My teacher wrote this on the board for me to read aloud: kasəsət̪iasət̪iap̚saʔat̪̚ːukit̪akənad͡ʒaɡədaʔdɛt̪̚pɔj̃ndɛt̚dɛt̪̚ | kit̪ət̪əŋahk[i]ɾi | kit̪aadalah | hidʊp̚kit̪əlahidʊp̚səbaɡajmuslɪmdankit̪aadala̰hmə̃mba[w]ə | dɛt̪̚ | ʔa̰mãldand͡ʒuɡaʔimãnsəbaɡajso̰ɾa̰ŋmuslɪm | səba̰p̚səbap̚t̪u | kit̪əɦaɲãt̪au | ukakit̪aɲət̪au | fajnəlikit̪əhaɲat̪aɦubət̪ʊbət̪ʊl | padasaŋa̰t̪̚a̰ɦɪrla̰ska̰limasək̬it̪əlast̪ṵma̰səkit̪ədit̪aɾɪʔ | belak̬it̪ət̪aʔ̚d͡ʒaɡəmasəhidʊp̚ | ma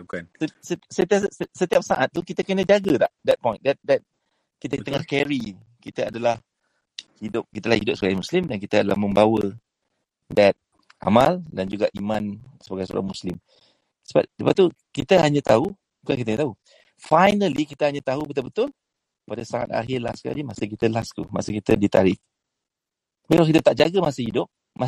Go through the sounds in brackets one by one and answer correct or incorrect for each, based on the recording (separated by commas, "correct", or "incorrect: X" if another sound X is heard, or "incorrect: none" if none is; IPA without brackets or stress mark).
incorrect: ɛ, correct